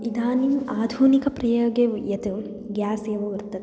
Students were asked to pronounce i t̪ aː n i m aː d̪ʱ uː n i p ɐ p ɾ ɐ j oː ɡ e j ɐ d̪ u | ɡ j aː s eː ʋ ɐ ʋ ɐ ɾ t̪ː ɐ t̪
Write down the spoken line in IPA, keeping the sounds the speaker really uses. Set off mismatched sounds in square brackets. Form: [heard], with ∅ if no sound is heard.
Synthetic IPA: i [d̪] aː n i m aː d̪ʱ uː n i [k] ɐ p ɾ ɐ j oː ɡ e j ɐ [t̪] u | ɡ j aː s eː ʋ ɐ ʋ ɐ ɾ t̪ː ɐ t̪